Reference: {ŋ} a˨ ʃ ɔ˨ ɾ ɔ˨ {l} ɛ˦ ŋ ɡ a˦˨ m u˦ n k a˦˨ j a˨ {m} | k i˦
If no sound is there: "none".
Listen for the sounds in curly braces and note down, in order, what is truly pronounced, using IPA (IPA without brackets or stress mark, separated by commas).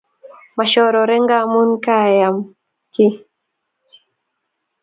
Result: m, ɾ, m